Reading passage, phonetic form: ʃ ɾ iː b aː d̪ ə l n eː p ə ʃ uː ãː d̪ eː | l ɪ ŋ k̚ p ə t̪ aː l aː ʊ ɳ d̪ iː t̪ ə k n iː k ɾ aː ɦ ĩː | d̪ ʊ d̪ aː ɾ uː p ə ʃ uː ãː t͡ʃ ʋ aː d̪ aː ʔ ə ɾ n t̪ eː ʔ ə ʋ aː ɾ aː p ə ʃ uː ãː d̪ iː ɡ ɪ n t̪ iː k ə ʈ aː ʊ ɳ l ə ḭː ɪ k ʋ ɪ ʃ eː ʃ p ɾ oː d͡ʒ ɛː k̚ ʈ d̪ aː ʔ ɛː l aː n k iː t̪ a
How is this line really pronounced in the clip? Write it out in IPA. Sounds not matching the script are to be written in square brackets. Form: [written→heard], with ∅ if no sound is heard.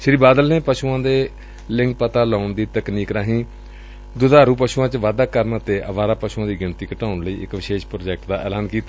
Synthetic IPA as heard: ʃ ɾ iː b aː d̪ ə l n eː p ə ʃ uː ãː d̪ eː | l ɪ ŋ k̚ p ə t̪ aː l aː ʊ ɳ d̪ iː t̪ ə k n iː k ɾ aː ɦ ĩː | d̪ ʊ d̪ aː ɾ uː p ə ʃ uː ãː t͡ʃ ʋ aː d̪ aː [ʔ→k] ə ɾ n t̪ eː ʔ ə ʋ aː ɾ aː p ə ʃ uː ãː d̪ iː ɡ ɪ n t̪ iː k ə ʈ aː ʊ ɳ l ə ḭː ɪ k ʋ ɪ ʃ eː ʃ p ɾ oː d͡ʒ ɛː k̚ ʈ d̪ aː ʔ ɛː l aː n k iː t̪ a